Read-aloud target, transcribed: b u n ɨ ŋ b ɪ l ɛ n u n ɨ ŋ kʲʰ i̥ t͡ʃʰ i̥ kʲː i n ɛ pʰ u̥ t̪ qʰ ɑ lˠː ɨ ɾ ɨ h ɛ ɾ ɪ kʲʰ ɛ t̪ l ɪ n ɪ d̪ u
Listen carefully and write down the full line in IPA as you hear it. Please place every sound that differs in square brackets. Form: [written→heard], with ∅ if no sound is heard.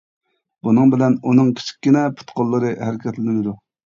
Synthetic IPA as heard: b u n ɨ ŋ b ɪ l ɛ n u n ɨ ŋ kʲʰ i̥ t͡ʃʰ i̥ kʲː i n ɛ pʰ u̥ t̪ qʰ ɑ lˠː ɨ ɾ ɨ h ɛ ɾ ɪ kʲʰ ɛ t̪ l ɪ n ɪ d̪ u

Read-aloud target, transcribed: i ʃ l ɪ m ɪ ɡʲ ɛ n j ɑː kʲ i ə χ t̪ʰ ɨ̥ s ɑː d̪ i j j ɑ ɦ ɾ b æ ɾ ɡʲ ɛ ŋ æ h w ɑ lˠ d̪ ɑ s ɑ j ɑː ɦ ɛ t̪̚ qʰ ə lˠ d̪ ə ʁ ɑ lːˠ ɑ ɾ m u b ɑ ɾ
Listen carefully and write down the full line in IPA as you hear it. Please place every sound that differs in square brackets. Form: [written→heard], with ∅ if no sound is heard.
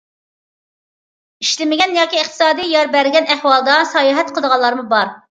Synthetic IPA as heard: i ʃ l ɪ m ɪ ɡʲ ɛ n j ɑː kʲ i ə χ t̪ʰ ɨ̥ s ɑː d̪ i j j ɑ [ɦ→∅] ɾ b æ ɾ ɡʲ ɛ [ŋ→n] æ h w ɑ lˠ d̪ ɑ s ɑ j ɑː ɦ ɛ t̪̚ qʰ ə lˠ d̪ ə ʁ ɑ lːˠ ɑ ɾ m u b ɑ ɾ

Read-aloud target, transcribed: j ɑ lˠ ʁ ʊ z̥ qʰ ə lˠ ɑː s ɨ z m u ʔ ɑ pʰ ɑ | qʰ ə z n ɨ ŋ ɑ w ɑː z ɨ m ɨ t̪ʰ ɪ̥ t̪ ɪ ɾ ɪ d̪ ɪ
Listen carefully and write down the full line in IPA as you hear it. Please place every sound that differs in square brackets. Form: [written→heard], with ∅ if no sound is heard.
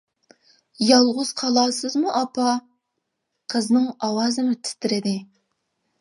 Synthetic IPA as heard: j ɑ lˠ ʁ ʊ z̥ qʰ [ə→ɑ] lˠ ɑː s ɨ z m u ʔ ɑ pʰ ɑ | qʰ ə z n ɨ ŋ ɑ w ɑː z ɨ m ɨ t̪ʰ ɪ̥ t̪ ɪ ɾ ɪ d̪ ɪ

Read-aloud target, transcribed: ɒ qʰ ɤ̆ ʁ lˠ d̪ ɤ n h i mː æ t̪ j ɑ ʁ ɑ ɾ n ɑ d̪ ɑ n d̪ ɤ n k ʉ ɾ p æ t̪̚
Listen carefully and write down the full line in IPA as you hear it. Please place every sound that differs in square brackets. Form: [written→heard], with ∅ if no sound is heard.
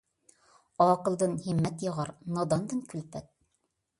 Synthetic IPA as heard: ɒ [qʰ→q] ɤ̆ [ʁ→∅] lˠ d̪ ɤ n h i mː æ t̪ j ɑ ʁ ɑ ɾ n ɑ d̪ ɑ n d̪ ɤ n k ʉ [ɾ→l] p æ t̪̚

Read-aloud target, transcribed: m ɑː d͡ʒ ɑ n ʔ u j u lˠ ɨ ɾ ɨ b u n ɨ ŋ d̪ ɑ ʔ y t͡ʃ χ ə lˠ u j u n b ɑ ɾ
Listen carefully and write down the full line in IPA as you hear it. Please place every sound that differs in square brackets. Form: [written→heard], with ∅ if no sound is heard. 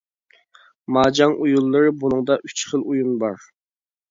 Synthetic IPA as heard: m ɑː d͡ʒ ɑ [n→ŋ] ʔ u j u [lˠ→lˠː] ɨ ɾ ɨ b u n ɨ ŋ d̪ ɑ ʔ y t͡ʃ χ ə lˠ u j u n b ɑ ɾ

